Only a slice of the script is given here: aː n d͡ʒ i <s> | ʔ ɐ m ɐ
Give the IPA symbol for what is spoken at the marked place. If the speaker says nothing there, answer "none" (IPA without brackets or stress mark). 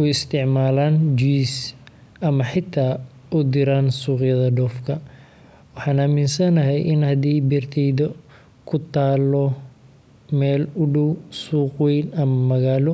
s